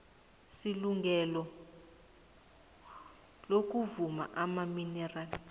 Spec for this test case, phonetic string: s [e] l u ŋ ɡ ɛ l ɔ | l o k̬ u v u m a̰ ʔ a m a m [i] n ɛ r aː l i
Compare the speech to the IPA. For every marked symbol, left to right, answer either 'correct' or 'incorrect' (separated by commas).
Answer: incorrect, correct